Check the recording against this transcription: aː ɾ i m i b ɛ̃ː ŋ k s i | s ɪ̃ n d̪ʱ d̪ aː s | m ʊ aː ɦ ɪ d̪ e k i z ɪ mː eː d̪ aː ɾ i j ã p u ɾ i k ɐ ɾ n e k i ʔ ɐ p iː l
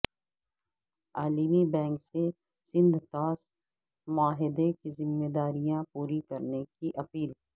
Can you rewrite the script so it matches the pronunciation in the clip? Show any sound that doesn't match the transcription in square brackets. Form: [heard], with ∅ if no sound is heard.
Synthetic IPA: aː [l] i m i b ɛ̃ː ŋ k s [e] | s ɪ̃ n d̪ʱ [t̪] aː s | m ʊ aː ɦ ɪ d̪ e k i z ɪ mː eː d̪ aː ɾ i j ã p [uː] ɾ i k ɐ ɾ n e k i ʔ ɐ p iː l